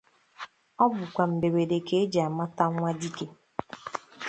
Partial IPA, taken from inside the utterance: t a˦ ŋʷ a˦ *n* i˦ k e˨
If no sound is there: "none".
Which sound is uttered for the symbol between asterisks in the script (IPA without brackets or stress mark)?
d